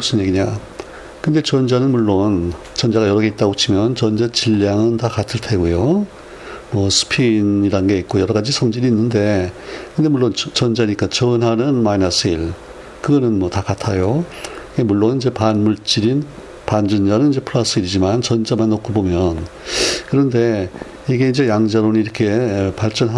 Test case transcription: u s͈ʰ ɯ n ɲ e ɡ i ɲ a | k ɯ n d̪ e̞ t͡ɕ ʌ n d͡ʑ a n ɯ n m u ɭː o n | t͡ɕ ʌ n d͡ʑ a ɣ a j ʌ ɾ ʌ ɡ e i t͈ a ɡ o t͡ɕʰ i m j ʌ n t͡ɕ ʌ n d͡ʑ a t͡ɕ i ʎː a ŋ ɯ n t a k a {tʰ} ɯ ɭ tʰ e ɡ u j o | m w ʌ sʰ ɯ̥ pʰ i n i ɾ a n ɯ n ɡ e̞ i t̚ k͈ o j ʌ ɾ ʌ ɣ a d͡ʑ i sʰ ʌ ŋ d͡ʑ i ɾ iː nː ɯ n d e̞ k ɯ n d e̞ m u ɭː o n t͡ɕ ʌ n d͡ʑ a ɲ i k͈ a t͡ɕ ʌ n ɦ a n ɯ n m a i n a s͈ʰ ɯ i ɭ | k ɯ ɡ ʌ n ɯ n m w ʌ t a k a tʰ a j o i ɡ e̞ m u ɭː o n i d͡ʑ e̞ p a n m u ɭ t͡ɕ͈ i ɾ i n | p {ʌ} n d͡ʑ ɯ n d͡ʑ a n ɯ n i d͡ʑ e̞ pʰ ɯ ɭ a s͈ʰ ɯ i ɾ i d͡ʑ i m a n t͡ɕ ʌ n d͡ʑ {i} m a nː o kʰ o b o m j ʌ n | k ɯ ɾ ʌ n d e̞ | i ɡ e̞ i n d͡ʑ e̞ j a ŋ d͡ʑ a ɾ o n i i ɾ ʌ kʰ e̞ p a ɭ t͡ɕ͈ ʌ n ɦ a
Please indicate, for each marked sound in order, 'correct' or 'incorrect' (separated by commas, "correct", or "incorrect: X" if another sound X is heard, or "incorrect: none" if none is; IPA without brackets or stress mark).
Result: correct, incorrect: a, incorrect: a